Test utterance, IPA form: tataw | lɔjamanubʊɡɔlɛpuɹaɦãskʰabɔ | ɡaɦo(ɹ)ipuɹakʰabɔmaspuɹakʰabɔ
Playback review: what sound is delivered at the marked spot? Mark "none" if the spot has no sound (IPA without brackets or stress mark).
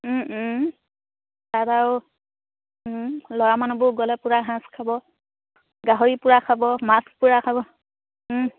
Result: ɹ